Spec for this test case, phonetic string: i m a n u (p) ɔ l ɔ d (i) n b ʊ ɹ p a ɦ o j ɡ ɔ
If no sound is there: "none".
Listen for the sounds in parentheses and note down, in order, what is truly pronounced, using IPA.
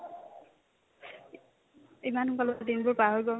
k, i

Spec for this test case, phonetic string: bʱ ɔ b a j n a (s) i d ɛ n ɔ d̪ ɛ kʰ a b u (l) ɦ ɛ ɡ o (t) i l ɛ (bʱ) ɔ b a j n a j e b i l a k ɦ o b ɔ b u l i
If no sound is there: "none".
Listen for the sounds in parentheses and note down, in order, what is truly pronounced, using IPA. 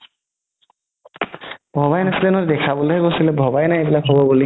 s, l, s, bʱ

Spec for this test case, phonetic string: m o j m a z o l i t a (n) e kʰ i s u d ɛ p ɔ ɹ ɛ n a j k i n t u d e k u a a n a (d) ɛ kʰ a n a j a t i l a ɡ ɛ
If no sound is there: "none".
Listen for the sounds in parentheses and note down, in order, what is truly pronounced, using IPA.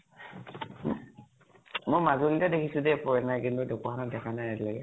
d, d

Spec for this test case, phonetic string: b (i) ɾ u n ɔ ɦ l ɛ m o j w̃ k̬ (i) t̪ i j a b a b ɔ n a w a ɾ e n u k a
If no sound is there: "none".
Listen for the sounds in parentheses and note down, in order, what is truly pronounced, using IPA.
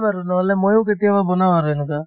a, e

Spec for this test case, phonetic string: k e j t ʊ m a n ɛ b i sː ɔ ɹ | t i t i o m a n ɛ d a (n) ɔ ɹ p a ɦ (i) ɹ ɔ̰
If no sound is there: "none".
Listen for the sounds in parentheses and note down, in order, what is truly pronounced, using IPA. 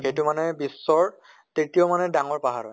ŋ, a

